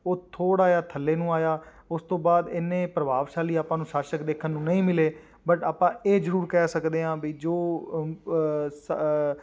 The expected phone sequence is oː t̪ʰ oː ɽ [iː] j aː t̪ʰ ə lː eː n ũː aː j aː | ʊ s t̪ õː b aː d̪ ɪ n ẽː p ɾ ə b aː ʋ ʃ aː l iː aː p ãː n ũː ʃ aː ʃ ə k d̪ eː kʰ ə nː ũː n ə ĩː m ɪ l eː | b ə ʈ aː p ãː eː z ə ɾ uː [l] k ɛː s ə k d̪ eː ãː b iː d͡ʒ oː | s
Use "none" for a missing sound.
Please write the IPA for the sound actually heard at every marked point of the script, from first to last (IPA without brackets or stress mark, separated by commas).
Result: aː, ɾ